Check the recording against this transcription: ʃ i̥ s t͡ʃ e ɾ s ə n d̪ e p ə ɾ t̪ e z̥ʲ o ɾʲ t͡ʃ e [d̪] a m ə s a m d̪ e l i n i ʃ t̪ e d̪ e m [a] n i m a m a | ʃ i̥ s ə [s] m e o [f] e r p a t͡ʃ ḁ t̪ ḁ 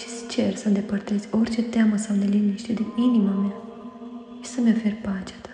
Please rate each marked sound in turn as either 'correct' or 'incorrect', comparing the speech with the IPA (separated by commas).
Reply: incorrect, incorrect, incorrect, correct